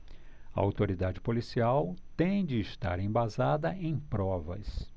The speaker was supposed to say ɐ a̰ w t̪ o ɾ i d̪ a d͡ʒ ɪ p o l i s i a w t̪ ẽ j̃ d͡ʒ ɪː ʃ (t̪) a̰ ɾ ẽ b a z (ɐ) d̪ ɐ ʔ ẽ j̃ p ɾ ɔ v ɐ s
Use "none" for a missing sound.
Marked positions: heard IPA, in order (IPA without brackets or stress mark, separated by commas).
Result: t̪, a